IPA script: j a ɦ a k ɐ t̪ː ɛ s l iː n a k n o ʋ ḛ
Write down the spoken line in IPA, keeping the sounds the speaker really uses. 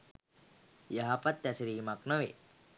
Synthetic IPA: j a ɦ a p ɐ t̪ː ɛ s ɾ iː m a k n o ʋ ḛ